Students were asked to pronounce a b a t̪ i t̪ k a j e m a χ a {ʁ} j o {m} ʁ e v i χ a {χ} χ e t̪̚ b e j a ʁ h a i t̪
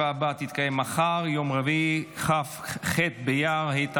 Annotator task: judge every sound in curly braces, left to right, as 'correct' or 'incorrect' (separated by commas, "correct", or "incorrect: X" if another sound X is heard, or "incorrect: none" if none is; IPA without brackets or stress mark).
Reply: correct, correct, incorrect: f